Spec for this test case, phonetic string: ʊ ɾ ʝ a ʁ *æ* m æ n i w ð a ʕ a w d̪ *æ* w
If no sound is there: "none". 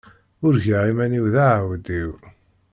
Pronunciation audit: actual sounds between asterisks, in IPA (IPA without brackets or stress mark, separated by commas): i, i